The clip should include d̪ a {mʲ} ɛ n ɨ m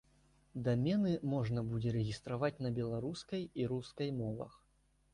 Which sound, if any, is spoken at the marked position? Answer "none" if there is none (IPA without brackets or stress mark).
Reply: mʲ